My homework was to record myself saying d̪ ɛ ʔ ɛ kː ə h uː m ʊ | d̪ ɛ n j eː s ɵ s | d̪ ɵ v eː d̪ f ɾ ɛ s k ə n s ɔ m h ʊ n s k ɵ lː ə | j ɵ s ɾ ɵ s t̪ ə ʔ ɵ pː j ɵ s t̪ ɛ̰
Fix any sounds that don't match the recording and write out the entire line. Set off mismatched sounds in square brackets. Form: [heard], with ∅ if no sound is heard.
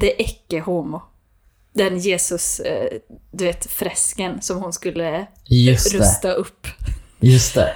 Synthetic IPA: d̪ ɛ ʔ ɛ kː ə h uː m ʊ | d̪ ɛ n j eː s ɵ s | d̪ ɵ v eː [t̪] f ɾ ɛ s k ə n s ɔ m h ʊ n s k ɵ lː ə | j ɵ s ɾ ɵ s t̪ [a] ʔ ɵ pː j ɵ s t̪ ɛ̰